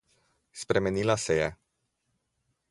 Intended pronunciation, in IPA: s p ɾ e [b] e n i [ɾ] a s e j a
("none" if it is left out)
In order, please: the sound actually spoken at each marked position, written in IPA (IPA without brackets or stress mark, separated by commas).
m, l